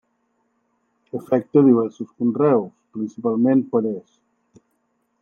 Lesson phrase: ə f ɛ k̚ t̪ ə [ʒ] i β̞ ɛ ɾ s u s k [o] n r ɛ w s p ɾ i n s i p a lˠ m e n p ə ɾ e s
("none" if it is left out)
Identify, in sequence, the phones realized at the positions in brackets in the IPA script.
ð, u

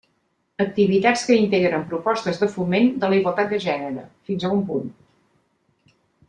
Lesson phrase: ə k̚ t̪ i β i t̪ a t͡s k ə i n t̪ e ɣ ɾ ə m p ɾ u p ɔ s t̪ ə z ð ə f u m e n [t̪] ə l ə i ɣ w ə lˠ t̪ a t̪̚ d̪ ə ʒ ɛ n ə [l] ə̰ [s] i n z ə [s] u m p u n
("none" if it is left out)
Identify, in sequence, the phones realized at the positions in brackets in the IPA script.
d̪, ɾ, f, none

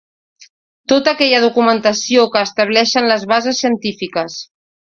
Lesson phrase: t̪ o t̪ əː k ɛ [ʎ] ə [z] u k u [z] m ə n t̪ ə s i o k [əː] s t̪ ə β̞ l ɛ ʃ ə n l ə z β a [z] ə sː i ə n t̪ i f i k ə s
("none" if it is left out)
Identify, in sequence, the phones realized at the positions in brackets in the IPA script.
ʎ, ð, none, əː, z

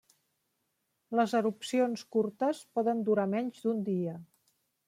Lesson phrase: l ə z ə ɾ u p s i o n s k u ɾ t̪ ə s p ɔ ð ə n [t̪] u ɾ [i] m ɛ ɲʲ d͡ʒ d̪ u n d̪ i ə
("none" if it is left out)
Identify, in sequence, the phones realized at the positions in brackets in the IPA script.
d̪, a

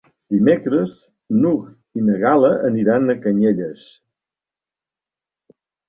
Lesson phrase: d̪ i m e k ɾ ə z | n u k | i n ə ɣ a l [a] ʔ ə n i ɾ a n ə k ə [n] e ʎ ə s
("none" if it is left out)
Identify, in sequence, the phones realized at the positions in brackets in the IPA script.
ə, ɲ

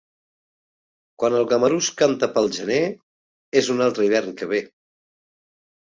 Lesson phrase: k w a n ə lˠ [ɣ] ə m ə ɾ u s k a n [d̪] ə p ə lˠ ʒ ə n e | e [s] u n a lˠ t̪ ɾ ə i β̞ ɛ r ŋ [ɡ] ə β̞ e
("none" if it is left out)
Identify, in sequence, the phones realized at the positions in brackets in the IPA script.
ɣ, t̪, z, k

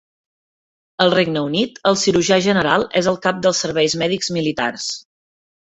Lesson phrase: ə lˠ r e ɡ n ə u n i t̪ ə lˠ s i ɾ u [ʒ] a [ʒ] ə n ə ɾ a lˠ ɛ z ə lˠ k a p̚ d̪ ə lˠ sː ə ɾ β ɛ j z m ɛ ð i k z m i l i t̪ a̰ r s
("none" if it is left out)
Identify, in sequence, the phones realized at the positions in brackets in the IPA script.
ʒ, ʒ

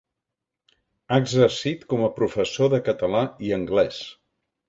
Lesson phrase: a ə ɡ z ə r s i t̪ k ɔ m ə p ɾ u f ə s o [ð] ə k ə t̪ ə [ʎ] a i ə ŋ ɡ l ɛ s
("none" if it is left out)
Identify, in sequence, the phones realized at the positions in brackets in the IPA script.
ð, l

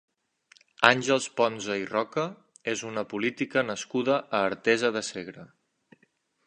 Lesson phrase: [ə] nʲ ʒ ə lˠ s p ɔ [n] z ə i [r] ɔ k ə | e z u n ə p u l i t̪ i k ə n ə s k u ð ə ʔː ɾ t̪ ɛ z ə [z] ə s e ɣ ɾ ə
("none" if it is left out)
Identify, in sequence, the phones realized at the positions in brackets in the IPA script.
a, n, r, ð

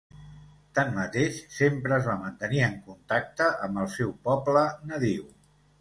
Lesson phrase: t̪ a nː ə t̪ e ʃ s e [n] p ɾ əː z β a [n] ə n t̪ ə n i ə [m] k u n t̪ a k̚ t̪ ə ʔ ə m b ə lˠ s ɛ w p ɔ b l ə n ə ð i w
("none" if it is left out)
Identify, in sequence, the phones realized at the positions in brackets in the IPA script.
m, m, ŋ

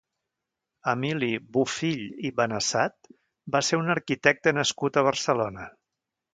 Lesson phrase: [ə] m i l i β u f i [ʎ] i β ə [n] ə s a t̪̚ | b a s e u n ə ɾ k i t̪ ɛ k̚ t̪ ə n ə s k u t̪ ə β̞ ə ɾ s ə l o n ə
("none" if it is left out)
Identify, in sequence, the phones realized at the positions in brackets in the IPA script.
ə, ʎ, n

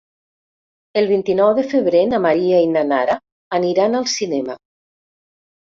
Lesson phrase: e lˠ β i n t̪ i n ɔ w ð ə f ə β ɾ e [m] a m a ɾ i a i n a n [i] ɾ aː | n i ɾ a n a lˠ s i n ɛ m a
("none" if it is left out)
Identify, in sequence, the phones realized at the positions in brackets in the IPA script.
n, a

